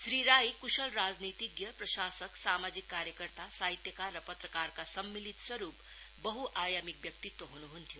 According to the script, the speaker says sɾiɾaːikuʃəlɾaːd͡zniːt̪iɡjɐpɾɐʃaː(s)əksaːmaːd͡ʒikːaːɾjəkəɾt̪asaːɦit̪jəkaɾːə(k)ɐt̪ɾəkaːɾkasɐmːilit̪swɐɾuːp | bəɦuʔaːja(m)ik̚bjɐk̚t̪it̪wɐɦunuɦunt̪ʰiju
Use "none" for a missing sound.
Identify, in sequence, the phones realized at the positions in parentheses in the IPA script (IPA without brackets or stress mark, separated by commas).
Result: s, p, m